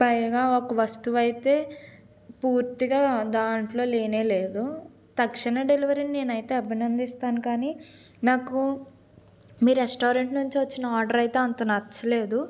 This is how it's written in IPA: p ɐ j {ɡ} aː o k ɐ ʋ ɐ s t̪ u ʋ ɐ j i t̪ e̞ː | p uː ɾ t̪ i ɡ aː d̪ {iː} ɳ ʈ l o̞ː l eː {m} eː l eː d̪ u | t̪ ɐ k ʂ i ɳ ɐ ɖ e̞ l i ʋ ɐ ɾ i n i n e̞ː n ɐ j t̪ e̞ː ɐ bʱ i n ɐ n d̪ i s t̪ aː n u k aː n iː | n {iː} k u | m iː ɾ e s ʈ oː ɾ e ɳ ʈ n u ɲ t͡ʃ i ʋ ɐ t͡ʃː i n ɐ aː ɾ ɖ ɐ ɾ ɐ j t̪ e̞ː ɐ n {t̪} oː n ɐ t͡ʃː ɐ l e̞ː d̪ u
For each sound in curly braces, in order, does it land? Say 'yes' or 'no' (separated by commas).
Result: yes, no, no, no, yes